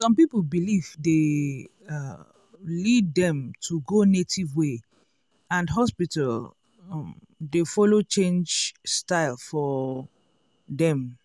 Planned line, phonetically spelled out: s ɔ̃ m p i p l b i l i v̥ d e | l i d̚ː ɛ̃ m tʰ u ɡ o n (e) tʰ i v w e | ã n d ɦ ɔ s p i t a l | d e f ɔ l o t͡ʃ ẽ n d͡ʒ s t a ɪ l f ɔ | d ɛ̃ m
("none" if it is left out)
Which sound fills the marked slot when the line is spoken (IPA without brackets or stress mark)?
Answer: e